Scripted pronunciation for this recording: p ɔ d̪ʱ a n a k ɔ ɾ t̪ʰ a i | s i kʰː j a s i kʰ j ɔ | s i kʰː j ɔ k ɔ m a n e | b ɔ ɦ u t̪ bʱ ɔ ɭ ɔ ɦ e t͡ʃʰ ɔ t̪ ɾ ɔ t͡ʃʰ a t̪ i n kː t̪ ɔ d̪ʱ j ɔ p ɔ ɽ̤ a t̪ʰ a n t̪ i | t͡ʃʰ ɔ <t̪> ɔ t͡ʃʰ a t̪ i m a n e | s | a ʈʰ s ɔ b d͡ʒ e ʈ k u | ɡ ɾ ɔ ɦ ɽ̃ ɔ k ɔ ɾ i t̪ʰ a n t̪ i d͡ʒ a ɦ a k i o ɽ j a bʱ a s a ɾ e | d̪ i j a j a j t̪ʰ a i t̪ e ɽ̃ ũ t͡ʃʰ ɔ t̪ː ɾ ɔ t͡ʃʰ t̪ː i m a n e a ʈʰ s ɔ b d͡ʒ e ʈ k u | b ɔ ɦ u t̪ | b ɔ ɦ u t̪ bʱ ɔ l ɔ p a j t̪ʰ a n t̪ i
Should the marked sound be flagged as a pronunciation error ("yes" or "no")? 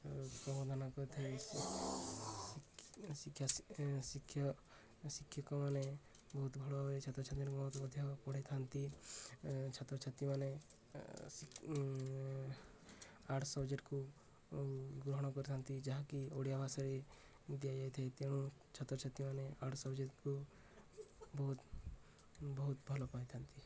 no